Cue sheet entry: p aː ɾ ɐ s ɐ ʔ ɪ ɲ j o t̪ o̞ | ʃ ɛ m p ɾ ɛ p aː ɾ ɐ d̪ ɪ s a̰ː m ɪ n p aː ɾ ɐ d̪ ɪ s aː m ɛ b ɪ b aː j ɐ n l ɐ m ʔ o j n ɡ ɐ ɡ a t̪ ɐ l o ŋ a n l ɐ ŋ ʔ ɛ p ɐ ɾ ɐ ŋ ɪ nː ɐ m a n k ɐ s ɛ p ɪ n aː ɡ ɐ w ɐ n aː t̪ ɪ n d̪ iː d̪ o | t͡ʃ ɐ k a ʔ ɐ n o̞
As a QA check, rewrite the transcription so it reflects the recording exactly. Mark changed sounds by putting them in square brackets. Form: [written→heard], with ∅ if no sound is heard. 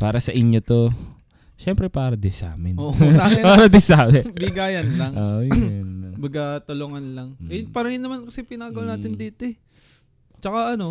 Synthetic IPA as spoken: p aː ɾ ɐ s ɐ ʔ ɪ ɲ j o t̪ o̞ | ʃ ɛ m p ɾ ɛ p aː ɾ ɐ d̪ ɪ s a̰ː m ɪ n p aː ɾ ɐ d̪ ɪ s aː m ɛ b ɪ [b→ɡ] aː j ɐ n l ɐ [m→ŋ] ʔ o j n [ɡ→b] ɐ ɡ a t̪ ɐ l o ŋ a n l ɐ ŋ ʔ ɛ p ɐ ɾ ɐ ŋ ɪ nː ɐ m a n k ɐ s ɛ p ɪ n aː ɡ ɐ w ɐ n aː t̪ ɪ n d̪ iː [d̪→t̪] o | t͡ʃ ɐ k a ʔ ɐ n o̞